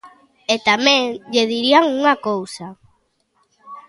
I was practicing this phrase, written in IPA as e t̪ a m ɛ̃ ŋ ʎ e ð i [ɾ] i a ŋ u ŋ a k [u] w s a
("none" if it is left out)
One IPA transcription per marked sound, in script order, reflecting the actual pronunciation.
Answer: ɾ, o

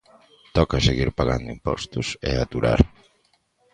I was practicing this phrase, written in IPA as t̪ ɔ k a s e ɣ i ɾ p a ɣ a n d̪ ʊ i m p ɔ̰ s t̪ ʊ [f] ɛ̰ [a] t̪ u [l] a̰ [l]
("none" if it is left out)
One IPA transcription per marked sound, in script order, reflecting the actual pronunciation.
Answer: s, a, ɾ, ɾ

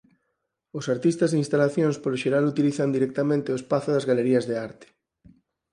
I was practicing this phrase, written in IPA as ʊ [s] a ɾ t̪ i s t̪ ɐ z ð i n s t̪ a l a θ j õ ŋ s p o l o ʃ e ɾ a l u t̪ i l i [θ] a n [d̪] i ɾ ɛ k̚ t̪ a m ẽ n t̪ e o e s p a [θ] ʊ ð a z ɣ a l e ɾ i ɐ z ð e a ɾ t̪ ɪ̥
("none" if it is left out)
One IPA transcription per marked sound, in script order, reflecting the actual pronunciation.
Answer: s, θ, d̪, θ

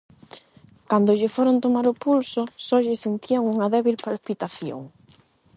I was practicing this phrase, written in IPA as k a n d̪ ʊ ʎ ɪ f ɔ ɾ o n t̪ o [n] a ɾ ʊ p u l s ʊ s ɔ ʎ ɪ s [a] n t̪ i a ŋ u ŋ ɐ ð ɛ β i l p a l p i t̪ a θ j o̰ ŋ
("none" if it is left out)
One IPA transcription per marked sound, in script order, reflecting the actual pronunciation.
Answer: m, e

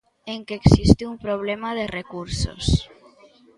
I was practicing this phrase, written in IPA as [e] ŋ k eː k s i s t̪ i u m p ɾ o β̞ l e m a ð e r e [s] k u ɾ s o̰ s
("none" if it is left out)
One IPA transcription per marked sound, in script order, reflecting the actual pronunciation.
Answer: e, none

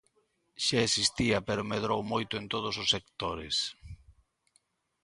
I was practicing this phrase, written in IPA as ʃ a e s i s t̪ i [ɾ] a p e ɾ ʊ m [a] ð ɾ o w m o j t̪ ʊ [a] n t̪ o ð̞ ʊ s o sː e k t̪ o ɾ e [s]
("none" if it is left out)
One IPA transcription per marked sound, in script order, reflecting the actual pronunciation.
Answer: none, e, e, s

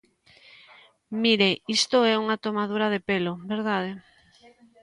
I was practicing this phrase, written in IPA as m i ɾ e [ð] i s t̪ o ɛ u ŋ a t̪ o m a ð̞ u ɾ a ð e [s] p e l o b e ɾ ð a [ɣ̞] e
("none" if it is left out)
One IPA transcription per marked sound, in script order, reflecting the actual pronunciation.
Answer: none, none, ð̞

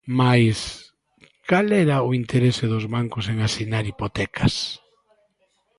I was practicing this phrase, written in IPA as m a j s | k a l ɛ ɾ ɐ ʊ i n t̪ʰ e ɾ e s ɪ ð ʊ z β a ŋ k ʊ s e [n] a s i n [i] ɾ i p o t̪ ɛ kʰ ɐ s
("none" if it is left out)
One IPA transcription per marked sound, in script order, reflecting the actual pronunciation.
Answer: ŋ, a

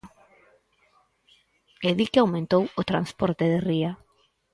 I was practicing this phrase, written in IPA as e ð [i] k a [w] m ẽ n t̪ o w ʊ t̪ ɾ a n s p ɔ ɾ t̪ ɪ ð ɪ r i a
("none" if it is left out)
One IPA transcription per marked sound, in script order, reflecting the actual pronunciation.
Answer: i, w

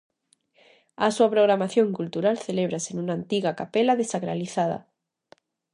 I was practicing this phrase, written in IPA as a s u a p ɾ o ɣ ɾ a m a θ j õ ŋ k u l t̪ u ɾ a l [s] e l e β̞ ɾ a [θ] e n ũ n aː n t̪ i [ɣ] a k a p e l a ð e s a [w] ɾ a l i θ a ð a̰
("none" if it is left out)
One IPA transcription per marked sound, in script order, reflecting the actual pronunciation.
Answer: θ, s, ɣ, ɣ

